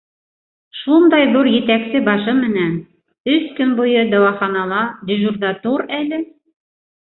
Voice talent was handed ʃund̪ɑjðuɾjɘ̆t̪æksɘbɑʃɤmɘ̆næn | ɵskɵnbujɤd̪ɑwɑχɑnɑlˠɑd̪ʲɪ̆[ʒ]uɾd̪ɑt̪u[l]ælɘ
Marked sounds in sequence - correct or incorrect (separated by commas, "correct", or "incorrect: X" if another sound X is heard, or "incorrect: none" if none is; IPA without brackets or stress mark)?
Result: correct, incorrect: ɾ